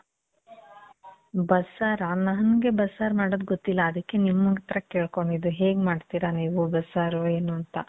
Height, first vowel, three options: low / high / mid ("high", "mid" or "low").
low